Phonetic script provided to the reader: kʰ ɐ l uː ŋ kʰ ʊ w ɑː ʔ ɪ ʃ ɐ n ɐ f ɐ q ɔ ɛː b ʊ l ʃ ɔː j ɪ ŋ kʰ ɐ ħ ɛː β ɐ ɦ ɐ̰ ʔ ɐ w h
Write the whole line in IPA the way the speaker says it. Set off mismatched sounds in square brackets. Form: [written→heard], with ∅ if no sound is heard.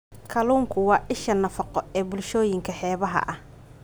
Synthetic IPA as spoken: kʰ ɐ l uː ŋ kʰ ʊ w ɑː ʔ ɪ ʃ ɐ n ɐ f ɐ q ɔ ɛː b ʊ l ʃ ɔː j ɪ ŋ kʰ ɐ ħ ɛː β ɐ ɦ ɐ̰ ʔ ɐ [w→∅] h